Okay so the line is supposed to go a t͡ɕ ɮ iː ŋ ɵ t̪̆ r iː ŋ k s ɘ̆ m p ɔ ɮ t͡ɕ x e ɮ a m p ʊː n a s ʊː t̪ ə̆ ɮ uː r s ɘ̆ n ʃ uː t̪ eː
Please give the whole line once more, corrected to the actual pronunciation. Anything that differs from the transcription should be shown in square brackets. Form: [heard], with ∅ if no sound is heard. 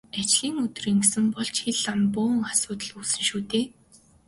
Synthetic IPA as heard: a t͡ɕ ɮ iː ŋ ɵ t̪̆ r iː ŋ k s ɘ̆ m p ɔ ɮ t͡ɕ x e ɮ a m p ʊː [ŋ] a s ʊː t̪ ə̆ ɮ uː [∅] s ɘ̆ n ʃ uː t̪ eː